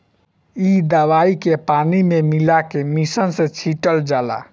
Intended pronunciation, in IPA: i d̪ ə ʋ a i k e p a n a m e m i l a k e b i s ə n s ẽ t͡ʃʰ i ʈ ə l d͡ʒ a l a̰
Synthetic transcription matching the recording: i d̪ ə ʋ a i k e p a n i m e m i l a k e m i s ə n s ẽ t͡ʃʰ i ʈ ə l d͡ʒ a l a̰

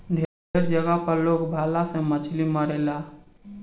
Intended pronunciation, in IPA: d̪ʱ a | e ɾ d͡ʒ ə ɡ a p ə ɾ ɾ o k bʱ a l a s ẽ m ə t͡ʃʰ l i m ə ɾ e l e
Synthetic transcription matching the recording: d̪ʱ e | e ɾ d͡ʒ ə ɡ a p ə ɾ l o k bʱ a l a s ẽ m ə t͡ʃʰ l i m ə ɾ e l a

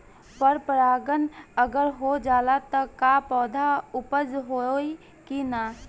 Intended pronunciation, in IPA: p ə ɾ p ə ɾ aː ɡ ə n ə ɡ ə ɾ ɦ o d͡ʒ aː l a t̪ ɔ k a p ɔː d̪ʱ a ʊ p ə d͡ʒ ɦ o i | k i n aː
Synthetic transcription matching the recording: p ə ɾ p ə ɾ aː ɡ ə n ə ɡ ə ɾ ɦ o d͡ʒ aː l a t̪ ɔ k a p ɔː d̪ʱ a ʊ p ə d͡ʒ ɦ o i | k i n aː

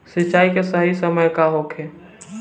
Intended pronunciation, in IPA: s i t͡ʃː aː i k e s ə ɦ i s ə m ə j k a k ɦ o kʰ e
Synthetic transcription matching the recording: s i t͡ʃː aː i k e s ə ɦ i s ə m ə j k a ɦ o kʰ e

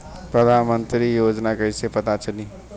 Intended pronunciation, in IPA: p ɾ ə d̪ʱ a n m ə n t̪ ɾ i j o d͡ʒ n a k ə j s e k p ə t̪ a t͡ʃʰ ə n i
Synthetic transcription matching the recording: p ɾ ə d̪ʱ a n m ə n t̪ ɾ i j o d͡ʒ n a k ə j s e p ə t̪ a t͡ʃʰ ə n i

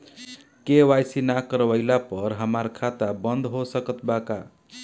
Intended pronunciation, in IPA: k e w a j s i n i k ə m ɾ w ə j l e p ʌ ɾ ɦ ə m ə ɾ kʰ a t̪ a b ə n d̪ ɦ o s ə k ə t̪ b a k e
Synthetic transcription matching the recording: k e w a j s i n a k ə ɾ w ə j l a p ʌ ɾ ɦ ə m a ɾ kʰ a t̪ a b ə n d̪ ɦ o s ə k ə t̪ b a k a

